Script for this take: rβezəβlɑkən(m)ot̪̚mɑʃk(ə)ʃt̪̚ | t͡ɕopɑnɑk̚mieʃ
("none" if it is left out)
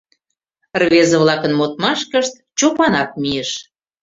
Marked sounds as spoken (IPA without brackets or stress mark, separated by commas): m, ə